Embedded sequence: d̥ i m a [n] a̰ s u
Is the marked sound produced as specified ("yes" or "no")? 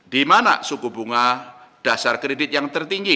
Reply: yes